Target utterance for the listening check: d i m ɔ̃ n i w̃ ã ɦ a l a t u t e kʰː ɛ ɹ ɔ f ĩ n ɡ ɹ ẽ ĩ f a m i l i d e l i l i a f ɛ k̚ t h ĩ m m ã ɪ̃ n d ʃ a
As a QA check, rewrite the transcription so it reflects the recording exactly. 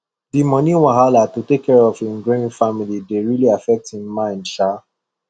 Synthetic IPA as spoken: d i m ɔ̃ n i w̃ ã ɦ a l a t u t e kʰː ɛ ɹ ɔ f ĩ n ɡ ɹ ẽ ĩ f a m i l i d e ɹ i l i a f ɛ k̚ t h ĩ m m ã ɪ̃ n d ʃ a